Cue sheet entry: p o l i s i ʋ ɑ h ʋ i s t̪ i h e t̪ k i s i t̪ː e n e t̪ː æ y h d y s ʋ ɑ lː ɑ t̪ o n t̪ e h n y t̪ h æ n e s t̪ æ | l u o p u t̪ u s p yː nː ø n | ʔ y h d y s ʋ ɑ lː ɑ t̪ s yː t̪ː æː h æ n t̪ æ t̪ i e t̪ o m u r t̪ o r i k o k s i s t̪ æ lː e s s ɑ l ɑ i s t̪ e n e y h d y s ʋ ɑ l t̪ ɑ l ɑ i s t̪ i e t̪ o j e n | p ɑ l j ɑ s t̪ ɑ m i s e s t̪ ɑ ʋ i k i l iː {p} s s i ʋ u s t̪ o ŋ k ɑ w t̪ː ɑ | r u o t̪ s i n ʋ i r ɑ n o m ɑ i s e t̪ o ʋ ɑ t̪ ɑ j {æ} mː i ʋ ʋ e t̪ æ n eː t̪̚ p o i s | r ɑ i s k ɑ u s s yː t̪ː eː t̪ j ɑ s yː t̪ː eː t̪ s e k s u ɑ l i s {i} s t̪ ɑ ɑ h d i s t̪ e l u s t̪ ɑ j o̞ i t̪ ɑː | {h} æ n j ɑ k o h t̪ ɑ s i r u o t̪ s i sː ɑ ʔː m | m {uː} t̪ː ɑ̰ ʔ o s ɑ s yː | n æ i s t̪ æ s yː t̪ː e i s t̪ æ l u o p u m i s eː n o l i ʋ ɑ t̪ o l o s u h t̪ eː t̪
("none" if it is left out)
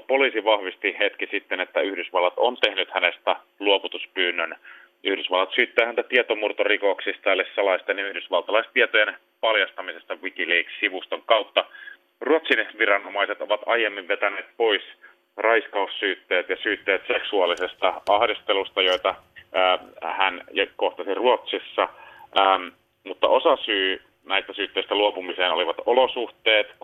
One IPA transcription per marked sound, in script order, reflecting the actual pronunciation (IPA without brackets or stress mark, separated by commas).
k, e, e, h, u